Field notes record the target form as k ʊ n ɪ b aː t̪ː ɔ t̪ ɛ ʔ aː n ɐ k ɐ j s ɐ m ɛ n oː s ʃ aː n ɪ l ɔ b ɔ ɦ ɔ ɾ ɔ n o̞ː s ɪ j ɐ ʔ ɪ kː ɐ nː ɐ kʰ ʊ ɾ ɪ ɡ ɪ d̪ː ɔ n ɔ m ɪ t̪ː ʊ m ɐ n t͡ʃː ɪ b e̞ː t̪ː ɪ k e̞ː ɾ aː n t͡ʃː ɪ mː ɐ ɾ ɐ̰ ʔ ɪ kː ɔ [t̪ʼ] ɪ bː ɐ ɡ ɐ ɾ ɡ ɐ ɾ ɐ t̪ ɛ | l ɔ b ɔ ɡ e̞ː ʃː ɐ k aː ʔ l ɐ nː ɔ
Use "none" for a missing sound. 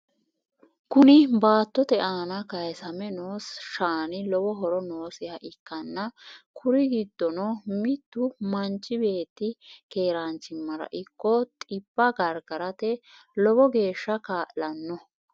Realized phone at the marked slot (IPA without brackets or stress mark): t̪ʼ